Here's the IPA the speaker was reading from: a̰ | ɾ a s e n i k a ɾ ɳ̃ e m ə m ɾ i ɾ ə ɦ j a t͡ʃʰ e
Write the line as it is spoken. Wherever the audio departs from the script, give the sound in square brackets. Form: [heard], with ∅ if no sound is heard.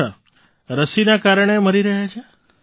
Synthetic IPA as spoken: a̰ | ɾ [ə] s [i] n [a] k a ɾ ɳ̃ e m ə [∅] ɾ i ɾ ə ɦ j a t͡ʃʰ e